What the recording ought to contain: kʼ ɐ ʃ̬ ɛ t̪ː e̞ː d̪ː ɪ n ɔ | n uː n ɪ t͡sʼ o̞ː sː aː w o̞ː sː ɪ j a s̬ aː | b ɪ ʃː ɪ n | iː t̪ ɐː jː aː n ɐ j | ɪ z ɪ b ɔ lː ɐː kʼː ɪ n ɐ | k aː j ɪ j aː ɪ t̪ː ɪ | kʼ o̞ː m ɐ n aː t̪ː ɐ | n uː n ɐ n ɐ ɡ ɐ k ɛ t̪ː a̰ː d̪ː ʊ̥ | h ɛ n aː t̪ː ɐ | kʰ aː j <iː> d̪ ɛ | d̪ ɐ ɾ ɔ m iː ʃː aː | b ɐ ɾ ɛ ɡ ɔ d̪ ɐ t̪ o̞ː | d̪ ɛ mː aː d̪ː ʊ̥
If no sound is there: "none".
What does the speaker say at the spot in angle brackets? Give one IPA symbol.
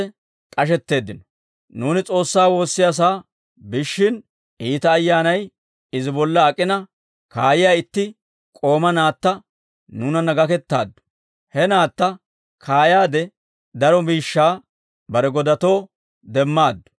aː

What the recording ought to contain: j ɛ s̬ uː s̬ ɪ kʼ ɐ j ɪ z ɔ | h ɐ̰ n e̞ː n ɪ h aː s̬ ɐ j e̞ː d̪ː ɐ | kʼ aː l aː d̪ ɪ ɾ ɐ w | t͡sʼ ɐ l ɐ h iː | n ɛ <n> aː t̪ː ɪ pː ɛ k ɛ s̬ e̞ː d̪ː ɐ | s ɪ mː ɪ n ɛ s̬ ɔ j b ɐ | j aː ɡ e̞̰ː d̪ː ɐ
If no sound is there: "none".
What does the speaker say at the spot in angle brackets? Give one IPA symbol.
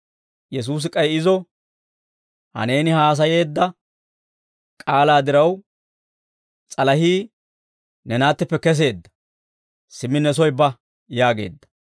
n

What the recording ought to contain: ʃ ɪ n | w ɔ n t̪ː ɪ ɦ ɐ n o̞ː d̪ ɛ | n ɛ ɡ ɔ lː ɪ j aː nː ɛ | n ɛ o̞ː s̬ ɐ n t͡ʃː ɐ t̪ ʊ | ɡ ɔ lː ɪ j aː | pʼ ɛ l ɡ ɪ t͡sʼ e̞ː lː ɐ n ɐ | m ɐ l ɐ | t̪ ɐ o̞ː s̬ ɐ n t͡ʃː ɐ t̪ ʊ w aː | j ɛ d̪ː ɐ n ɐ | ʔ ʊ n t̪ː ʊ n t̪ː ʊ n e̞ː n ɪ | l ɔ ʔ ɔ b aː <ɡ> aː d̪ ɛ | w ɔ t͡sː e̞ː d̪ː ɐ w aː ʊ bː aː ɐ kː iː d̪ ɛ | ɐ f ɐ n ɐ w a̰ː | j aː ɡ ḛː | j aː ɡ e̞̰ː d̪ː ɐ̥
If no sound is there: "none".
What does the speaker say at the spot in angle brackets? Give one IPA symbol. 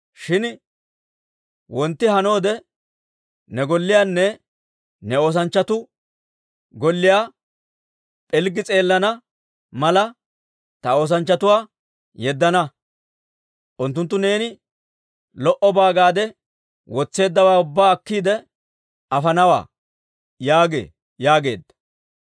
ɡ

